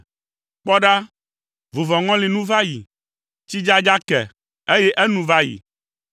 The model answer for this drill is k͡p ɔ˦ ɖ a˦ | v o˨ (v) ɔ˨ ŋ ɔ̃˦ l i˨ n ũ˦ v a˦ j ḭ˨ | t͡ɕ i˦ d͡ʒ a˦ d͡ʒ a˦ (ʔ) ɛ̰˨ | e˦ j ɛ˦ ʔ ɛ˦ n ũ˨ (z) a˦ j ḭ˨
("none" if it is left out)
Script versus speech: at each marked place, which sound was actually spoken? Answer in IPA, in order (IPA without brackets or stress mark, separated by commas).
v, k, v